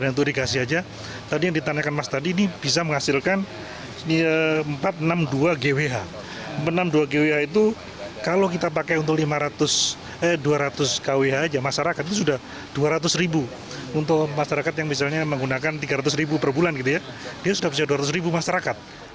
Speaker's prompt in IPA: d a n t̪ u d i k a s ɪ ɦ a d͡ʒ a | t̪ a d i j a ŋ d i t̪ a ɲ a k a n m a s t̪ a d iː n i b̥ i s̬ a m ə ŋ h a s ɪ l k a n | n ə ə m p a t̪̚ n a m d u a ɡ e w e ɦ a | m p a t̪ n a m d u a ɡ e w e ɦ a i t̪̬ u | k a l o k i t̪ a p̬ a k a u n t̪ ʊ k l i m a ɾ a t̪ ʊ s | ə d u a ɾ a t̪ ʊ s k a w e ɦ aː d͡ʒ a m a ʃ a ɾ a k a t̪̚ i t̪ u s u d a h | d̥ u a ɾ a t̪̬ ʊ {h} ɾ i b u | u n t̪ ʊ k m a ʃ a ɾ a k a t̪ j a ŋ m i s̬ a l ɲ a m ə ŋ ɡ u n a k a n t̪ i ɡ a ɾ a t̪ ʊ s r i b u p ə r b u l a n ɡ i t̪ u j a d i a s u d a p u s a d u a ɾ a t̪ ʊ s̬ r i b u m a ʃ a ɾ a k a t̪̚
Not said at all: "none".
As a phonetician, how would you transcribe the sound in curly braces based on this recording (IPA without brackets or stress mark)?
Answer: s